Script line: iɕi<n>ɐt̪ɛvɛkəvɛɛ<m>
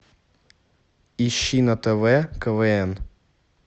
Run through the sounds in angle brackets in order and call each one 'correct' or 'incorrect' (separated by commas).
correct, incorrect